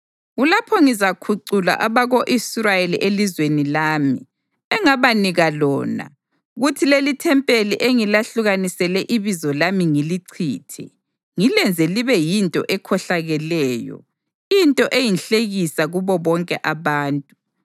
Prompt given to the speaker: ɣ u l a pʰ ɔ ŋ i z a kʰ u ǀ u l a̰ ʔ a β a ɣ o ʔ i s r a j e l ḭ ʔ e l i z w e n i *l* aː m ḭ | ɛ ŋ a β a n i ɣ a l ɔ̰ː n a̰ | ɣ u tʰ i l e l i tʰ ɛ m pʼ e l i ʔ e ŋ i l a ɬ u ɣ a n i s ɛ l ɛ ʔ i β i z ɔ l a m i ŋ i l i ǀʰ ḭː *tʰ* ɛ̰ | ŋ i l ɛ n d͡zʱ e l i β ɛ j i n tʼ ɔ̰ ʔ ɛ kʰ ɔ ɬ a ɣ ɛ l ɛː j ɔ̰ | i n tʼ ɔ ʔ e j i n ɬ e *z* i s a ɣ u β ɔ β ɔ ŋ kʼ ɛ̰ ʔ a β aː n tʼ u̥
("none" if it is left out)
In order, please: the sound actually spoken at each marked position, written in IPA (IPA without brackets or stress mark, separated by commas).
l, tʰ, ɣ